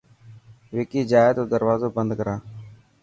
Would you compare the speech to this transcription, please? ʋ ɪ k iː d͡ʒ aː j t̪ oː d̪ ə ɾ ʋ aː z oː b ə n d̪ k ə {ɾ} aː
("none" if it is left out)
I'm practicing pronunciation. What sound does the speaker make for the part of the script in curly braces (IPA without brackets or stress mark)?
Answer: ɾ